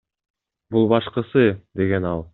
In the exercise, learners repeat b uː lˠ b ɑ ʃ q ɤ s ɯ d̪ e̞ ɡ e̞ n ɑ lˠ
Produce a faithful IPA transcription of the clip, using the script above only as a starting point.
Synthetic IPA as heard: b u lˠ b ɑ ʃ q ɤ s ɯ d̪ e̞ ɡ e̞ n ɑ lˠ